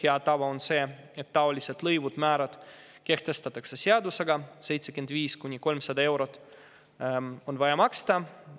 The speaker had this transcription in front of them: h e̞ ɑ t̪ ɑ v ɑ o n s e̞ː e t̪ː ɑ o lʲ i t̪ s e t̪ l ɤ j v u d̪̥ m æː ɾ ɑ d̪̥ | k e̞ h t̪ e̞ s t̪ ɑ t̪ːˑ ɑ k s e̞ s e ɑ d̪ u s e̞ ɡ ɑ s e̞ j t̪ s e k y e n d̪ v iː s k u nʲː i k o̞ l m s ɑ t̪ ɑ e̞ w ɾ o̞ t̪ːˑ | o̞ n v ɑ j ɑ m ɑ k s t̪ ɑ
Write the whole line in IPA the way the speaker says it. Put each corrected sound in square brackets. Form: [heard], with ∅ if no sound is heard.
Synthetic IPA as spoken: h e̞ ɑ t̪ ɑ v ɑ o n s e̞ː e t̪ː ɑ o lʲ i [∅] s e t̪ l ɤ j v u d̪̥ m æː ɾ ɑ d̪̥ | k e̞ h t̪ e̞ s t̪ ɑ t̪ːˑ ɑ k s e̞ s e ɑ d̪ u s e̞ ɡ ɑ s e̞ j t̪ s e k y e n d̪ v iː s k u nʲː i k o̞ l m s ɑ [d̪] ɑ e̞ w ɾ o̞ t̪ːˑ | o̞ n v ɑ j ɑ m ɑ k s t̪ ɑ